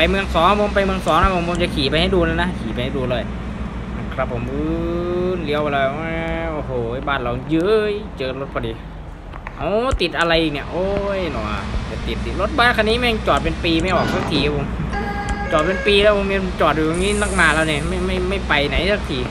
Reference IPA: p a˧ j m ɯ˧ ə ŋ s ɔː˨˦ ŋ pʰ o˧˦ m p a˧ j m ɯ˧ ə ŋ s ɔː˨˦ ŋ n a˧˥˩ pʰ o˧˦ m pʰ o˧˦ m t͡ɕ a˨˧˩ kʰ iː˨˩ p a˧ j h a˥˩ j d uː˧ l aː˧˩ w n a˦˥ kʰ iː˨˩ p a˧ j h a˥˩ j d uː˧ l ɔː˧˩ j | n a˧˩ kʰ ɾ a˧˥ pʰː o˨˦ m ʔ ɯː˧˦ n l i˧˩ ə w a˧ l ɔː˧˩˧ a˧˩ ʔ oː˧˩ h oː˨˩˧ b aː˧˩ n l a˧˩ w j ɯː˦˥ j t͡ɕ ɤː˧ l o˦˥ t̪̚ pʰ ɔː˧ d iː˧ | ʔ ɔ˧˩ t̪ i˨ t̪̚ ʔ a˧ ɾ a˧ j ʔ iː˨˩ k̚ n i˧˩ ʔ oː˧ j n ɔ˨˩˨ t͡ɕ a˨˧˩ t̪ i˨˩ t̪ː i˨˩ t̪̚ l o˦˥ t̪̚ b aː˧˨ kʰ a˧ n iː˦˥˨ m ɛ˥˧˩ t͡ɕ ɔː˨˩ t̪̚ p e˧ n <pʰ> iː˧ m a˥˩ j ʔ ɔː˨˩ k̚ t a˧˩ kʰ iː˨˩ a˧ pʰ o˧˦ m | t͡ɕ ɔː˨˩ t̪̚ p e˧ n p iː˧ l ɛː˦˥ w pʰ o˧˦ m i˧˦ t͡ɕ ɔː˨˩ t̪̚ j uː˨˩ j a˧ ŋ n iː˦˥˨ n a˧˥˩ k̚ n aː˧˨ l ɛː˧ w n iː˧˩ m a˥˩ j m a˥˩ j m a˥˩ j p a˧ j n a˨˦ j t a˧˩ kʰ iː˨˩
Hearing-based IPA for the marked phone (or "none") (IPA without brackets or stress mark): p